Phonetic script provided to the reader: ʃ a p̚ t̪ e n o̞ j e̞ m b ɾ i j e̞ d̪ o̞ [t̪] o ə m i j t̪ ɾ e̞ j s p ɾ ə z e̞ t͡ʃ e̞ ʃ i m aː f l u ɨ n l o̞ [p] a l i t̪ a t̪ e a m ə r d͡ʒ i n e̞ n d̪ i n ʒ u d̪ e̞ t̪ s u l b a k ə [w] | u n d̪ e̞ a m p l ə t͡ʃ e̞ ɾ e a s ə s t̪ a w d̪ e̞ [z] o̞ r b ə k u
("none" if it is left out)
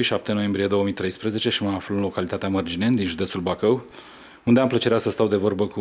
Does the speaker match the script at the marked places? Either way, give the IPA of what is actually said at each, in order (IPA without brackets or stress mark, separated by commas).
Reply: none, k, w, v